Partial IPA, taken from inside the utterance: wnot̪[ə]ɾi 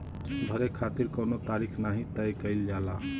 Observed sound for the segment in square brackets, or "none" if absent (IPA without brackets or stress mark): a